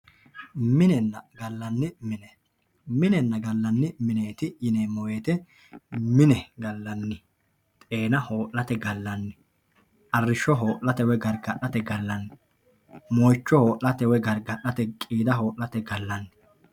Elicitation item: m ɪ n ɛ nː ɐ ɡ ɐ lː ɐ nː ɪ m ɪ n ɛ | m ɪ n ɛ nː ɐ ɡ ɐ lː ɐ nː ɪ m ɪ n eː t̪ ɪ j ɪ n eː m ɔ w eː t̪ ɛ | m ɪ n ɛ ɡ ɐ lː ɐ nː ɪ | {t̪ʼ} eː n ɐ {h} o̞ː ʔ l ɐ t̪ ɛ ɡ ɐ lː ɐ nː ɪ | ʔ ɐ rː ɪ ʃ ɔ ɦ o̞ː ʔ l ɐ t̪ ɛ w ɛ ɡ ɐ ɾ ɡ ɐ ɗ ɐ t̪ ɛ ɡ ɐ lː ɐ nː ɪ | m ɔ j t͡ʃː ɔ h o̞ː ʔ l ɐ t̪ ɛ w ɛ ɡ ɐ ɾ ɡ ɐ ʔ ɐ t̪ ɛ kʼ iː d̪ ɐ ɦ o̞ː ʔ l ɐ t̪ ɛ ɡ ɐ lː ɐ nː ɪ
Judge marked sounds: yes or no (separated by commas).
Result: yes, yes